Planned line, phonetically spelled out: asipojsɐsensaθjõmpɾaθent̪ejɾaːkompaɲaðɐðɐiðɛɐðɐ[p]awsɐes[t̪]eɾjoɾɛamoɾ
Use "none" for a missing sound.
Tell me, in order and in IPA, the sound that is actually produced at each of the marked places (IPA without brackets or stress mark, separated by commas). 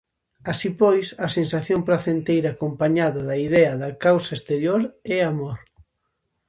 k, t̪